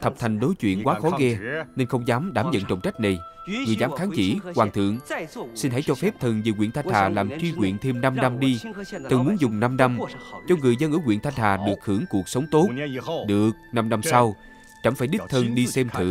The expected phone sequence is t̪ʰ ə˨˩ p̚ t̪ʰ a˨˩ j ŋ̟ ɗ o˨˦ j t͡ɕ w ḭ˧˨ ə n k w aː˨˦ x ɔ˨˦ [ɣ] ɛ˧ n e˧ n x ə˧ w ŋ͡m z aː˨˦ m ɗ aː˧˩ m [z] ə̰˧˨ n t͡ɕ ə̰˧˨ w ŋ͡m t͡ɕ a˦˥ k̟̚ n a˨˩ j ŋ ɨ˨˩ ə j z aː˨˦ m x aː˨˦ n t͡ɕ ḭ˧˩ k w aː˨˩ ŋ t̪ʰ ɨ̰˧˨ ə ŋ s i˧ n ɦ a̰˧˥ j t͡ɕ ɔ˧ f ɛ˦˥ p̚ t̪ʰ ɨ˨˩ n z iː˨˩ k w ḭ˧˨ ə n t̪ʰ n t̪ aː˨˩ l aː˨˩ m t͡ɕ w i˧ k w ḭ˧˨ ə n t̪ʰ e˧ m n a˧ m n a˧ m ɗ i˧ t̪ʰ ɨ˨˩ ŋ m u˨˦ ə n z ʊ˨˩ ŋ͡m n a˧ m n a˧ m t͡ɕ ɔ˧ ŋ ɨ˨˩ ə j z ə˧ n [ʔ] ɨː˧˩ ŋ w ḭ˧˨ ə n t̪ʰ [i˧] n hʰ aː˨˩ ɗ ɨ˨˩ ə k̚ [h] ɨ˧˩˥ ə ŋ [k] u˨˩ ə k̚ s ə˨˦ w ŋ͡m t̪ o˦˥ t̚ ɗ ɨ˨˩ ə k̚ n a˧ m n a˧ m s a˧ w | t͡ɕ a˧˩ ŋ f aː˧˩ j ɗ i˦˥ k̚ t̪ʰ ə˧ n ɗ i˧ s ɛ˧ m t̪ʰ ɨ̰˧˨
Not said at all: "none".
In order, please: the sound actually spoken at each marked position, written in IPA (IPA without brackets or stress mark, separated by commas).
ɣ, z, ʔ, a˧, h, k